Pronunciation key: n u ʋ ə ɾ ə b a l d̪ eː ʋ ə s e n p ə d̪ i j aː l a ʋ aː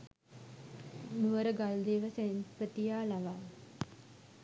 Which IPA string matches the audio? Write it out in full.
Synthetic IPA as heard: n u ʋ ə ɾ ə ɡ a l d̪ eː ʋ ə s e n p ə t̪ i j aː l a ʋ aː